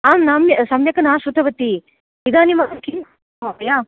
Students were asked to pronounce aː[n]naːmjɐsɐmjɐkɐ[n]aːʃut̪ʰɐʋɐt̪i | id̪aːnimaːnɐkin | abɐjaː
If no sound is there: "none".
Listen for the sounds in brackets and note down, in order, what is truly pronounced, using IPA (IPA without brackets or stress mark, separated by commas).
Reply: m, n